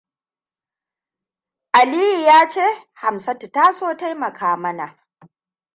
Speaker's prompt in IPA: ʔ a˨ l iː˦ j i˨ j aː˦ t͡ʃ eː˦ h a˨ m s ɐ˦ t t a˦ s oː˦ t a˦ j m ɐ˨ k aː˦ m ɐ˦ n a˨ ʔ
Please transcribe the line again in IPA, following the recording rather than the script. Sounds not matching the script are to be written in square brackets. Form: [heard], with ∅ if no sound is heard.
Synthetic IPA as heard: ʔ a˨ l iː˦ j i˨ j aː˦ t͡ʃ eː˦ h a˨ m s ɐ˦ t t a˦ s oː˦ t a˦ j m ɐ˨ k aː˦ m ɐ˦ n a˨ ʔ